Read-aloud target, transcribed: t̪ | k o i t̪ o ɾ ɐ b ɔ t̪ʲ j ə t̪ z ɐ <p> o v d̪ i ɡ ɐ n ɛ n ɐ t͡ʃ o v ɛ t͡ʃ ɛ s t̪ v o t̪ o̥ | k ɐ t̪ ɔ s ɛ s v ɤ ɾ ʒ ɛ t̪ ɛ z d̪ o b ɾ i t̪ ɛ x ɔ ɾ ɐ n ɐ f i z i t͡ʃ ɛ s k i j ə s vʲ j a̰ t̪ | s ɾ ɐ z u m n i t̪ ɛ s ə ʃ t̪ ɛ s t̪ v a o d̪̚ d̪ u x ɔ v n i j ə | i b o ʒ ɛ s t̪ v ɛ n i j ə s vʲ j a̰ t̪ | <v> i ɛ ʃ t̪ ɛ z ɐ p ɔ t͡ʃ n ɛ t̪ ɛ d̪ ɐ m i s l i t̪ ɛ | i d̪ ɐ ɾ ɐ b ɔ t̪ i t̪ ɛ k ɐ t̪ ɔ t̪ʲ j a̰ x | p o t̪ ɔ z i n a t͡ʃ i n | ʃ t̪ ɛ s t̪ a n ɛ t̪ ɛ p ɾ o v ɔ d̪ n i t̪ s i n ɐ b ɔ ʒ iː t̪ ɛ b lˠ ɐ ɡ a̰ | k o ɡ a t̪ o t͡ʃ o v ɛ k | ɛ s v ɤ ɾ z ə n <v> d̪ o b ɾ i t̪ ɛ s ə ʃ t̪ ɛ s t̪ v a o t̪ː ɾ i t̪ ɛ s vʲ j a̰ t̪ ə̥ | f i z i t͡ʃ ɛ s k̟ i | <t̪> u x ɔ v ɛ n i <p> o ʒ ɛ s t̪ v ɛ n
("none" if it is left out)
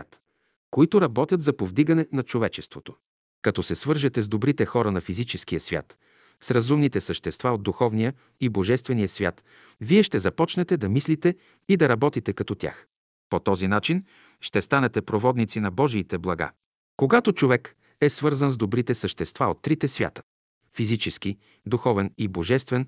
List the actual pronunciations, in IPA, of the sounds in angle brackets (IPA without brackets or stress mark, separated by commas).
p, v, z, d̪, b